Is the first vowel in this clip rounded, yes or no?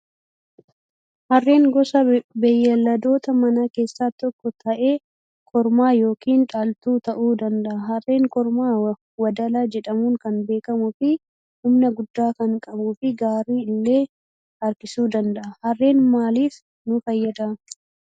no